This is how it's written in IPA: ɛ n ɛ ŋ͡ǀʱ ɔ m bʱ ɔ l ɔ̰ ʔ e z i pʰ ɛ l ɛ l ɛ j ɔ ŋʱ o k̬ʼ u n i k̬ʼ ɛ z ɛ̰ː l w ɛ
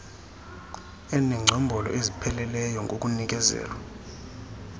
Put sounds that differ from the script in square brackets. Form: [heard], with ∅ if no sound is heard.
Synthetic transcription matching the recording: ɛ n ɛ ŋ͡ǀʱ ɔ m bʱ ɔ l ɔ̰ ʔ e z i pʰ ɛ l ɛ l ɛ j ɔ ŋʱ o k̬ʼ u n i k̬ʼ ɛ z ɛ̰ː l w [a]